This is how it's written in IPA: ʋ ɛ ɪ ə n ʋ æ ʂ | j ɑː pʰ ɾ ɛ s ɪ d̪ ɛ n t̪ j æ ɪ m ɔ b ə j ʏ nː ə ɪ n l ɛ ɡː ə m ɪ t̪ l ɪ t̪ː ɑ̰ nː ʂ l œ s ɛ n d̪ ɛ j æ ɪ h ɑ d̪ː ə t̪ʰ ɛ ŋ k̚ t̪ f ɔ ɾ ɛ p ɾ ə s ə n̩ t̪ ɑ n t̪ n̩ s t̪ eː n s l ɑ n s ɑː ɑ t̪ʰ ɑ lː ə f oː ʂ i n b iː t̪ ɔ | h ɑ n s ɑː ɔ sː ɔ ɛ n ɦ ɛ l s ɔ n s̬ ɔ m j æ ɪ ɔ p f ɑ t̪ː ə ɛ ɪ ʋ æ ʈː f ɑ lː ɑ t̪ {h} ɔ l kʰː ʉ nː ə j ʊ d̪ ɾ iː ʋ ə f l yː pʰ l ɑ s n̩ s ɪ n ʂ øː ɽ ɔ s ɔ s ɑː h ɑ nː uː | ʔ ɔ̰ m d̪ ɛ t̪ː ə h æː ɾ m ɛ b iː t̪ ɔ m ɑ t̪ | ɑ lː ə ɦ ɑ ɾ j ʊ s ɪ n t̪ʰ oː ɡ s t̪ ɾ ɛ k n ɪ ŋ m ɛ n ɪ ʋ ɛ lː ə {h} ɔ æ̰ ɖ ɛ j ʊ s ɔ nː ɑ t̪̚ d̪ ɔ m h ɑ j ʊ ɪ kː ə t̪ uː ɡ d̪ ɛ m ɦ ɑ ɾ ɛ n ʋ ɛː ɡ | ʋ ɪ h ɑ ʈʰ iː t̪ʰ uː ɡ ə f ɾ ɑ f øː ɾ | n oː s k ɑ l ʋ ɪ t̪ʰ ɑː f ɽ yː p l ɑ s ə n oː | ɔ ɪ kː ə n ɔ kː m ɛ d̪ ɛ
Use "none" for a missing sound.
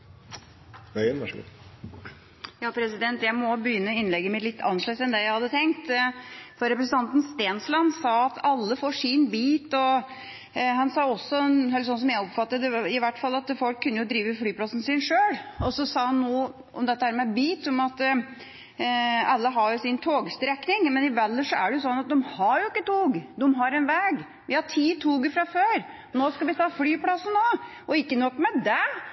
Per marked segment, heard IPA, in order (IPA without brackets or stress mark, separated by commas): f, ʂ